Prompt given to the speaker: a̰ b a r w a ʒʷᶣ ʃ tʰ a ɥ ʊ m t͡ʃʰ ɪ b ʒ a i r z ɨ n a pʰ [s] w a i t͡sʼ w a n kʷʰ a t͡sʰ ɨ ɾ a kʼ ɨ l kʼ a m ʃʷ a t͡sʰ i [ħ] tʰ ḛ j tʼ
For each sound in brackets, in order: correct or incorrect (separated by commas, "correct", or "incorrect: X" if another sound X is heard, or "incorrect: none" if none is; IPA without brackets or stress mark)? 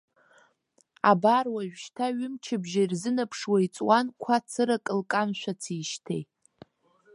incorrect: ʂ, incorrect: ʃ